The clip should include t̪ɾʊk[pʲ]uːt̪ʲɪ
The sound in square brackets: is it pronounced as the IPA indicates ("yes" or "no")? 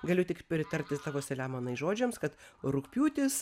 yes